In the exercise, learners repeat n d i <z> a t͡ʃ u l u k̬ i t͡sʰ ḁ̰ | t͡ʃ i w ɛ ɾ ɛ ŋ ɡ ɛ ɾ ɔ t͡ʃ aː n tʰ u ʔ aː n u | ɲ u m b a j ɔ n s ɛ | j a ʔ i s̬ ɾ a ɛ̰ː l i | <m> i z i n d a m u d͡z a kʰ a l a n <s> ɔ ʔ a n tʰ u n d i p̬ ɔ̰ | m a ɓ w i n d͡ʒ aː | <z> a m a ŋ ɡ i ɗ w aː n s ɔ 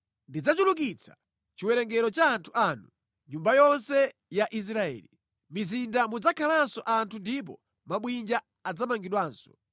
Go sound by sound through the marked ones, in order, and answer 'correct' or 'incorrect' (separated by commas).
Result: incorrect, correct, correct, incorrect